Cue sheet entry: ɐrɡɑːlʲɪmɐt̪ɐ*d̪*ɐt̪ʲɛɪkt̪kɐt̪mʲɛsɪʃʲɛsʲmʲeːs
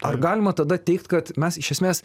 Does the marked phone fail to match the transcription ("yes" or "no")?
no